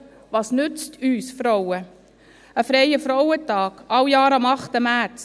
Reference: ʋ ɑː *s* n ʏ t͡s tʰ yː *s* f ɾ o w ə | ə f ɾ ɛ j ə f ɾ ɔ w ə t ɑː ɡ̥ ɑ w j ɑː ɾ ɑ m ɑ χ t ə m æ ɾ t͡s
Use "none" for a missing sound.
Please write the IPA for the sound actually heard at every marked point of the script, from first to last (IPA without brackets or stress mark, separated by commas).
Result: s, s